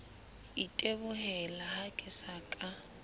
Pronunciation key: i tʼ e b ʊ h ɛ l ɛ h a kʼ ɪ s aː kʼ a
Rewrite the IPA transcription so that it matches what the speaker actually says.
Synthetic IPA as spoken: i tʼ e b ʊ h ɛ l a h a kʼ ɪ s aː kʼ a